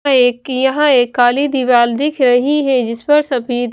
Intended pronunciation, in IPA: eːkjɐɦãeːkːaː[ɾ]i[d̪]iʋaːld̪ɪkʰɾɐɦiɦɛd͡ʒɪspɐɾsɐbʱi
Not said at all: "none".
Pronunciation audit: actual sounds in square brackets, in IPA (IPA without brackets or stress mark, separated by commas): l, d̪